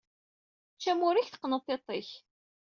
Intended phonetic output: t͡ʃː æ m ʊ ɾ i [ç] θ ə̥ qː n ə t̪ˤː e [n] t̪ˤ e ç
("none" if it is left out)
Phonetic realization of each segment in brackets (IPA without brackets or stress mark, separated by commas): ç, none